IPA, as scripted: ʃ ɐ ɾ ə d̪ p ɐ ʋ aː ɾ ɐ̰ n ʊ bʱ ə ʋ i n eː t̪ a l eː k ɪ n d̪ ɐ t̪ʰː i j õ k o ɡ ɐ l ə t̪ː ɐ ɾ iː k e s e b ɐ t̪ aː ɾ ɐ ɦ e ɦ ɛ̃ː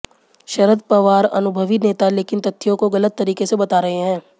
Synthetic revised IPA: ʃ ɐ ɾ ə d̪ p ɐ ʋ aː ɾ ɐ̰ n ʊ bʱ ə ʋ i n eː t̪ a l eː k ɪ n t̪ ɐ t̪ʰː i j õ k o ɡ ɐ l ə t̪ː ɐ ɾ iː k e s e b ɐ t̪ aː ɾ ɐ ɦ e ɦ ɛ̃ː